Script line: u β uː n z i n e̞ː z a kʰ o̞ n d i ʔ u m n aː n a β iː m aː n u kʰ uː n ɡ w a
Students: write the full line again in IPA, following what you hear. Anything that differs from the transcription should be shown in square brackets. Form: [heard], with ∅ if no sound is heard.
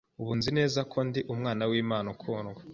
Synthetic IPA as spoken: u β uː n z i n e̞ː z a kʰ o̞ n d i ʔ u m [ŋ] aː n a [w] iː m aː n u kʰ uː n ɡ w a